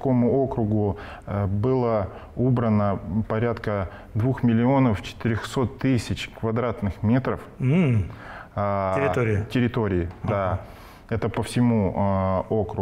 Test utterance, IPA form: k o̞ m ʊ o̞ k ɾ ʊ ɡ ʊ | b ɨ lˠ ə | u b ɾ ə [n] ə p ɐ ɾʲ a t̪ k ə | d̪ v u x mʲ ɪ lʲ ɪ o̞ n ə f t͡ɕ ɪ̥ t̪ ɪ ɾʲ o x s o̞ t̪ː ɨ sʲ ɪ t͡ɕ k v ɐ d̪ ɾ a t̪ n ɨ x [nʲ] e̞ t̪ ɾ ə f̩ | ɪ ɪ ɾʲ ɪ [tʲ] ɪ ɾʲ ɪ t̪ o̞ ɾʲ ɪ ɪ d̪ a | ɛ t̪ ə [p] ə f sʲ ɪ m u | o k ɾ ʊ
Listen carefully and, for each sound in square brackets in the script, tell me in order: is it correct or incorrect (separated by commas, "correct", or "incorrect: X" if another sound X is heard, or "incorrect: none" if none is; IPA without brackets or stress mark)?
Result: correct, incorrect: mʲ, correct, correct